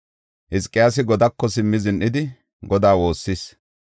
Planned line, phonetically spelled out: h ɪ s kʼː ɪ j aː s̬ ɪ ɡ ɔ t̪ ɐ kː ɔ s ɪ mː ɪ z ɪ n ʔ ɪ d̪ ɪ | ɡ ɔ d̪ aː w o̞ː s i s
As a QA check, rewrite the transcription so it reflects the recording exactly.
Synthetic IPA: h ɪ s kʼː ɪ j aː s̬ ɪ ɡ ɔ d̪ ɐ kː ɔ s ɪ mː ɪ z ɪ n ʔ ɪ d̪ ɪ | ɡ ɔ d̪ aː w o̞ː sː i s